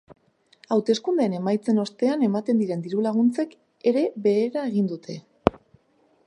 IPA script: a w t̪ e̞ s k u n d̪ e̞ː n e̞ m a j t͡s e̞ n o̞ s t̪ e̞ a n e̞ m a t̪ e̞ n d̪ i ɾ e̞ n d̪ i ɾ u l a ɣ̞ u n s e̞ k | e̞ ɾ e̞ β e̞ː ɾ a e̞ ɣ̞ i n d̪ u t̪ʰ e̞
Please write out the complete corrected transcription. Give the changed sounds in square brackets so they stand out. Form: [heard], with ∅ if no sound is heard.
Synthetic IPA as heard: a w t̪ e̞ s k u n d̪ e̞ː n e̞ m a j t͡s e̞ n o̞ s t̪ e̞ a n e̞ m a t̪ e̞ n d̪ i ɾ e̞ n d̪ i ɾ u l a ɣ̞ u n [t͡s] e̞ k | e̞ ɾ e̞ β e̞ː ɾ a e̞ ɣ̞ i n d̪ u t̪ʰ e̞